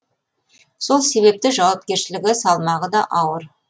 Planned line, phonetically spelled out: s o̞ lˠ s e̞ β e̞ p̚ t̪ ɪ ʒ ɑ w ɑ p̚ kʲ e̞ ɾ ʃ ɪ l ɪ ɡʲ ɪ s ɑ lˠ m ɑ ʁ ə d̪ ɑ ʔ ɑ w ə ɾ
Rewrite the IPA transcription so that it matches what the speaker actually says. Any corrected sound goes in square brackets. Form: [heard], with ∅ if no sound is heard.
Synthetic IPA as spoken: s o̞ lˠ s e̞ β e̞ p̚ t̪ ɪ ʒ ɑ w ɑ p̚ kʲ e̞ ɾ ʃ ɪ l ɪ ɡʲ ɪ s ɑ lˠ m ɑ ʁ ə d̪ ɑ ʔ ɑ w ə ɾ